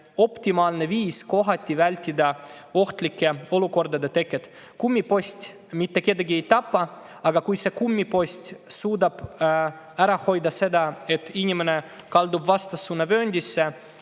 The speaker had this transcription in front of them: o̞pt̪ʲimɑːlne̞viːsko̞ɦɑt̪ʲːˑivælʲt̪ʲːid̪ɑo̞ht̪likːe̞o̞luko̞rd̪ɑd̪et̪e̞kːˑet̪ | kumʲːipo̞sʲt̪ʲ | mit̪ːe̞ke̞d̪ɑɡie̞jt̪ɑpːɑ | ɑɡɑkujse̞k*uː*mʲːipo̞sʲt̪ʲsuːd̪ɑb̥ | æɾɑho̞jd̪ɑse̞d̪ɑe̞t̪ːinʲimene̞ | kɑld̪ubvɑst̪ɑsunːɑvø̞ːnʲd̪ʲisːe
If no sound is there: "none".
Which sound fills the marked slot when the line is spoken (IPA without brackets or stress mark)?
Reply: u